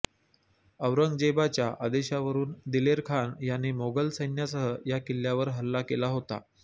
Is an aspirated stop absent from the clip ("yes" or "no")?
no